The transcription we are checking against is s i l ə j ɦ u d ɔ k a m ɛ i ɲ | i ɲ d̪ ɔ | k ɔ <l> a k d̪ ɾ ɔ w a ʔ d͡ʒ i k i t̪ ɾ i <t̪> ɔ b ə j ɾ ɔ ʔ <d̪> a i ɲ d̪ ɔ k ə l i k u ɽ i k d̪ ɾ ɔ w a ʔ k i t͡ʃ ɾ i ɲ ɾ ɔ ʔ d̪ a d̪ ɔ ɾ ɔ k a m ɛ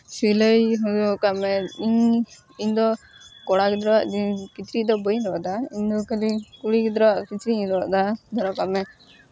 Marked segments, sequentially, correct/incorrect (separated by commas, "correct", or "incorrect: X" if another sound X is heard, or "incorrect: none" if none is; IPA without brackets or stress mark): incorrect: ɽ, incorrect: d̪, correct